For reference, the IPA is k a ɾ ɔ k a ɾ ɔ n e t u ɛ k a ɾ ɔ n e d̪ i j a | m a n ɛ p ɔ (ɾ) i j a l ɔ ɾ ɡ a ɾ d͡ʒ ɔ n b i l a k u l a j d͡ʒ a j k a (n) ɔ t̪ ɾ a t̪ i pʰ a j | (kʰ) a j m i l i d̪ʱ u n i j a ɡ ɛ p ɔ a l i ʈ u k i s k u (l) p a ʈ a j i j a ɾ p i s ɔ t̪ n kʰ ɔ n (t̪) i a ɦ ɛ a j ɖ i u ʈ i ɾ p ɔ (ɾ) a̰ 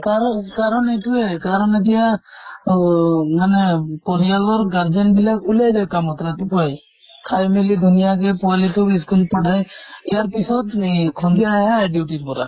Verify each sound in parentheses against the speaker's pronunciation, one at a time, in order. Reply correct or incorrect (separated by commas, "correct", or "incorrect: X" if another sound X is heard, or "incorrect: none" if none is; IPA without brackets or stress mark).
correct, incorrect: m, correct, correct, incorrect: d̪, correct